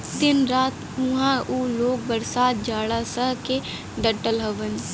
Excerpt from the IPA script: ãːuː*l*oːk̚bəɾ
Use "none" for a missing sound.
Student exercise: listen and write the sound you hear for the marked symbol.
l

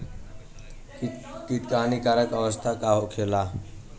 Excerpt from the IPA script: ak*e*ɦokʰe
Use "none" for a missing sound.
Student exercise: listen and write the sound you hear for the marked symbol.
a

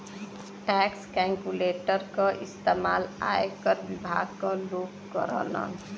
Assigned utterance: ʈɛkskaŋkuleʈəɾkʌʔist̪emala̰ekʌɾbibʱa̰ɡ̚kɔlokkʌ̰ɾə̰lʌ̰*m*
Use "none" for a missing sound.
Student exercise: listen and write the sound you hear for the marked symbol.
n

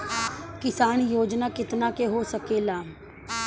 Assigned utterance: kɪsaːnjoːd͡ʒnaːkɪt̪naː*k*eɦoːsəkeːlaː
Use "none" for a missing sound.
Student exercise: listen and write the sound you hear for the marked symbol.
k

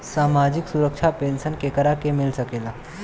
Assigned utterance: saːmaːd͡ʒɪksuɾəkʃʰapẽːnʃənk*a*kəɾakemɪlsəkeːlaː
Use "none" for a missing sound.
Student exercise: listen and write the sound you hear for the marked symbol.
e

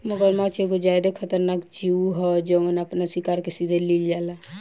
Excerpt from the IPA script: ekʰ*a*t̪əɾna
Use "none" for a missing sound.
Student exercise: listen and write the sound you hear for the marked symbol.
ə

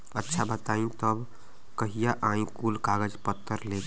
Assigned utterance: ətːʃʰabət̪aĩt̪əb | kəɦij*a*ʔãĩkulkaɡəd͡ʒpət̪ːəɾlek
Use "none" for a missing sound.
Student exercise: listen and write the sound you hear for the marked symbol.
a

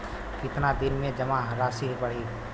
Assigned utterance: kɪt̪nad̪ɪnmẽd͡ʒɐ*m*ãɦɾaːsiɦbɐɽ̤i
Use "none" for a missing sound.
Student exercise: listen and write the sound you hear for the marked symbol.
m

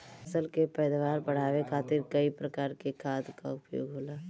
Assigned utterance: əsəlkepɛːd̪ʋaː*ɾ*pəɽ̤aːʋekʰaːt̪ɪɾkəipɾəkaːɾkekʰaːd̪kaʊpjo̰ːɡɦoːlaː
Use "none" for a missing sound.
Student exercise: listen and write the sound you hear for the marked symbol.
ɾ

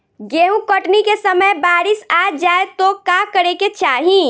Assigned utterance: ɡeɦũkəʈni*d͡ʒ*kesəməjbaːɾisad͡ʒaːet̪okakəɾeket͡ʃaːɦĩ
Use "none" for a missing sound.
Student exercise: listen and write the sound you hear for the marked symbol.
none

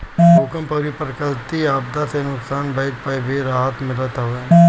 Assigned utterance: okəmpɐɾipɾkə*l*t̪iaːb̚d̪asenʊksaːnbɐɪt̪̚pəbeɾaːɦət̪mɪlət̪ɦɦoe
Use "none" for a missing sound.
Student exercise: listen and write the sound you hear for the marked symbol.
l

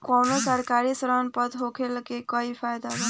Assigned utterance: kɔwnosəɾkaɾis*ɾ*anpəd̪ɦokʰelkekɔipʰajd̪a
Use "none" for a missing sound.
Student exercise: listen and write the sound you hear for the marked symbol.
ɾ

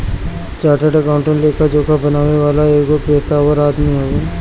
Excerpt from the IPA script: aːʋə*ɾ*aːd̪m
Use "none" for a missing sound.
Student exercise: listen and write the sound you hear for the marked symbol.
ɾ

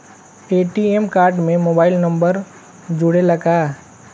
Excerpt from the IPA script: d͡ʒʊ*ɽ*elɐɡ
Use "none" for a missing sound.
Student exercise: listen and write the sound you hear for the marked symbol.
ɽ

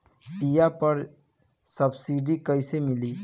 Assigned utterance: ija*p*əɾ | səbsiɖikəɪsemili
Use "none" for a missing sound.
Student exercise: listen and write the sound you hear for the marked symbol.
p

